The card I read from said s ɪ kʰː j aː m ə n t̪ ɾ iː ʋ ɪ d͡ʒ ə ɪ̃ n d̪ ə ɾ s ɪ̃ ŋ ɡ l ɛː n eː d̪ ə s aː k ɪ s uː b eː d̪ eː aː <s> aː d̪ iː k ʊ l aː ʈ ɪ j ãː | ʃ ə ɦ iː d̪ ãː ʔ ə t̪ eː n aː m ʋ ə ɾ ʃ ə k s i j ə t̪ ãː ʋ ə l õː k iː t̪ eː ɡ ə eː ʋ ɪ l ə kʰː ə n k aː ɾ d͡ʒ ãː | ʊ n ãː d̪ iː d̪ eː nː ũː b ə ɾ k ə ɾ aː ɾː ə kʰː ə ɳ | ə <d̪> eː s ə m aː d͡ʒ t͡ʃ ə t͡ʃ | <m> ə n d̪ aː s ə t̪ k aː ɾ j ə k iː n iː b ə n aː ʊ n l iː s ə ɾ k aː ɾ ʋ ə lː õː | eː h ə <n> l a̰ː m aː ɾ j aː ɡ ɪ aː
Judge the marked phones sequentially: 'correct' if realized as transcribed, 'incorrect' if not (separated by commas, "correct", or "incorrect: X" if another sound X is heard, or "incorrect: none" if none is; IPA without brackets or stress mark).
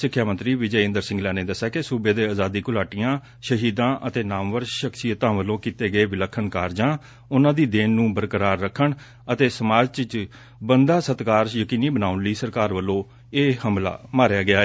incorrect: z, incorrect: t̪, incorrect: b, incorrect: m